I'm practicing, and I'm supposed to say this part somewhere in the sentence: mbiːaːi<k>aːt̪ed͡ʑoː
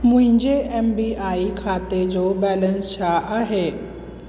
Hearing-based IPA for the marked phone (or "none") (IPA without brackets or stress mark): kʰ